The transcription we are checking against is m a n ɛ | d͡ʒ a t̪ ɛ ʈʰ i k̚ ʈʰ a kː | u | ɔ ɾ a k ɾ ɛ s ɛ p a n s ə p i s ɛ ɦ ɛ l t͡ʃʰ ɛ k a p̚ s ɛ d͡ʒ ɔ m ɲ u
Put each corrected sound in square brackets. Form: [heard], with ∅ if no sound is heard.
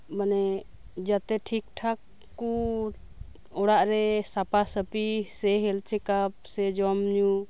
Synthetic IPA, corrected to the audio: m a n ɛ | d͡ʒ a t̪ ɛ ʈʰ i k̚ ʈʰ a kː | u | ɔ [ɽ] a [ʔ] ɾ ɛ s [a] p a [∅] s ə p i s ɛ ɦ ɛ l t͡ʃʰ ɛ k a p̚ s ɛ d͡ʒ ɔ m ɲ u